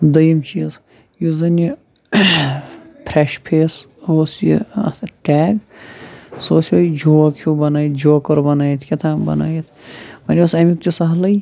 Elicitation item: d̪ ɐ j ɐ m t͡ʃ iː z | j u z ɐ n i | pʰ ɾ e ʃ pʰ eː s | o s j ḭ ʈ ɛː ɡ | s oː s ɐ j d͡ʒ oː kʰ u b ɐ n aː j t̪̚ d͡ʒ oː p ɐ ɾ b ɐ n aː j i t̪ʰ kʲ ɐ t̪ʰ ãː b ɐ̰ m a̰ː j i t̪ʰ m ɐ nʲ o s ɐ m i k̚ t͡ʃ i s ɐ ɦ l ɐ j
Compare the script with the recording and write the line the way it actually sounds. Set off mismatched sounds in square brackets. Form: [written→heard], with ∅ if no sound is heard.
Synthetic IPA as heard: d̪ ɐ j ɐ m t͡ʃ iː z | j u z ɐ n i | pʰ ɾ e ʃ pʰ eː s | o s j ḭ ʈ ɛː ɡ | s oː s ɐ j d͡ʒ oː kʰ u b ɐ n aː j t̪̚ d͡ʒ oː [p→k] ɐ ɾ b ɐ n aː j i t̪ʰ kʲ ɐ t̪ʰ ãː b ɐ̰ [m→n] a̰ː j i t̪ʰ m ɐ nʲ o s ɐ m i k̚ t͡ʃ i s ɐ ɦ l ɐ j